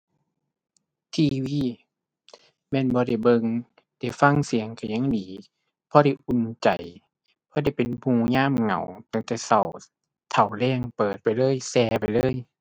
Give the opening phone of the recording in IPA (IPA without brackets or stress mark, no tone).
t̪ʰ